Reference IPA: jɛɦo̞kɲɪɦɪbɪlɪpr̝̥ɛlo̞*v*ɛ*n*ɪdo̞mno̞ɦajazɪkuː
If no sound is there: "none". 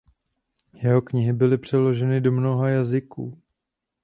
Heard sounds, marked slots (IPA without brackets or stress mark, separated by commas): ʒ, n